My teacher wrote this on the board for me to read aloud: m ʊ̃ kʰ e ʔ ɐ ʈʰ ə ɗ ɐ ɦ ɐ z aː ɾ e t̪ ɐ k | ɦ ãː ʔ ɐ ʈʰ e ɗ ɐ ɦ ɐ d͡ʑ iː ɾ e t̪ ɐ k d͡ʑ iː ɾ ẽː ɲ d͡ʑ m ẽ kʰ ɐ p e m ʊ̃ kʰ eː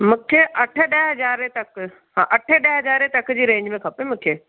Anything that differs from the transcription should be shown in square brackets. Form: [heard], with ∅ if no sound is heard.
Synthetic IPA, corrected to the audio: m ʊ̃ kʰ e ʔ ɐ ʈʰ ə ɗ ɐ ɦ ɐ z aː ɾ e t̪ ɐ k | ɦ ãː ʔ ɐ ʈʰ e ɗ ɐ ɦ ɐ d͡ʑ [aː] ɾ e t̪ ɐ k d͡ʑ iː ɾ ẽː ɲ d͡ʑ m ẽ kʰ ɐ p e m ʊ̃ kʰ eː